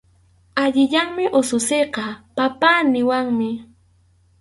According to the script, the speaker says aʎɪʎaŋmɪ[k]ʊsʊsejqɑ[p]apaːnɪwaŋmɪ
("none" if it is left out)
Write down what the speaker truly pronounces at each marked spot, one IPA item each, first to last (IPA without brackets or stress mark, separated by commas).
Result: ʔ, p